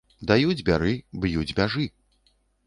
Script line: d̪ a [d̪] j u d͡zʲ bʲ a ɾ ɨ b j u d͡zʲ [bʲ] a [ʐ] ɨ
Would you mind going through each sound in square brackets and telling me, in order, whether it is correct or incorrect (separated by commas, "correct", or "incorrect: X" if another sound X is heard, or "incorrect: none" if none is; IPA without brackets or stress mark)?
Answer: incorrect: none, correct, correct